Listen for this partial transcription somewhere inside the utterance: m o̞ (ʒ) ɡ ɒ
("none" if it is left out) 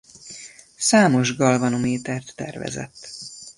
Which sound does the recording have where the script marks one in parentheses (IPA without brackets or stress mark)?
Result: ʒ